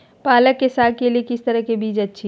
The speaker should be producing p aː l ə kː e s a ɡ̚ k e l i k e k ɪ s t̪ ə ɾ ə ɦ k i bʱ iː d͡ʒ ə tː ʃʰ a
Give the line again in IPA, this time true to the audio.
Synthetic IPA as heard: p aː l ə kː e s a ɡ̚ k e l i e k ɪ s t̪ ə ɾ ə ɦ k e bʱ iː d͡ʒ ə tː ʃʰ i